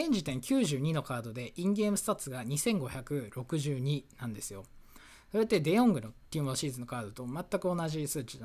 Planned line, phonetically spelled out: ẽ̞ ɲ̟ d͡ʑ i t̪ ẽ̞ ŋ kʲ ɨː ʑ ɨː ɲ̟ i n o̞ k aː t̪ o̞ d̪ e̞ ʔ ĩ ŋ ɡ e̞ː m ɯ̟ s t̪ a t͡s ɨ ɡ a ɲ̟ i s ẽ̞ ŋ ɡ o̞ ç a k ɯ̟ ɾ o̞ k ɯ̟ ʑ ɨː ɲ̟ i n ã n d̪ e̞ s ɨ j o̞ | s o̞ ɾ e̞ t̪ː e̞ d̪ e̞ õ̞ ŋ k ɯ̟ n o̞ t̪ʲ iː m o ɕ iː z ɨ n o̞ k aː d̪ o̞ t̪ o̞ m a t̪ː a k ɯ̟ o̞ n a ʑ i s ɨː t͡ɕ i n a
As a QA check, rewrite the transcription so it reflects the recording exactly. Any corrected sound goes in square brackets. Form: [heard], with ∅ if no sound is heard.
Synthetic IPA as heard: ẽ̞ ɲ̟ d͡ʑ i t̪ ẽ̞ ŋ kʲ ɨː ʑ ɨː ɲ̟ i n o̞ k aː [d̪] o̞ d̪ e̞ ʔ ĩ ŋ ɡ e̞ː m ɯ̟ s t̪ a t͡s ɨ ɡ a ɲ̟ i s ẽ̞ ŋ ɡ o̞ ç a k ɯ̟ ɾ o̞ k ɯ̟ ʑ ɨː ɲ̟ i n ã n d̪ e̞ s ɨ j o̞ | s o̞ ɾ e̞ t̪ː e̞ d̪ e̞ õ̞ ŋ [ɡ] ɯ̟ n o̞ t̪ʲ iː m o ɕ iː z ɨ n o̞ k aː d̪ o̞ t̪ o̞ m a t̪ː a k ɯ̟ o̞ n a ʑ i s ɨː t͡ɕ i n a